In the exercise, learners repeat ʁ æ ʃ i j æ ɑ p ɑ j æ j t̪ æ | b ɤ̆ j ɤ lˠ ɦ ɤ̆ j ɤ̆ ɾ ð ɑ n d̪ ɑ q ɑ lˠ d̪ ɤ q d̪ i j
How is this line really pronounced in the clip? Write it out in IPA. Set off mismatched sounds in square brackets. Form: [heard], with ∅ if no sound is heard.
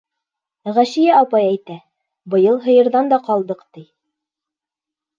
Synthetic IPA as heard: ʁ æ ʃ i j æ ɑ p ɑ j æ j t̪ æ | b ɤ̆ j ɤ lˠ ɦ ɤ̆ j ɤ̆ ɾ ð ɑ n d̪ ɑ q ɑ lˠ d̪ ɤ q [t̪] i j